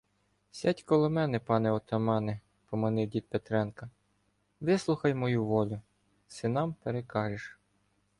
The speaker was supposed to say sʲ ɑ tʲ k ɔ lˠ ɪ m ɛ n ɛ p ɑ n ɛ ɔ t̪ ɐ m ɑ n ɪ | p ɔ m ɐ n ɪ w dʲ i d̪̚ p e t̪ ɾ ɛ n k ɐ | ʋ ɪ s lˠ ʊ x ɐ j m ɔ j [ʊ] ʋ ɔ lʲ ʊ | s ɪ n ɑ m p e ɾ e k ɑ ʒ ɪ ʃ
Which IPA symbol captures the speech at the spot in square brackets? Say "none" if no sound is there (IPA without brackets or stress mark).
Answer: u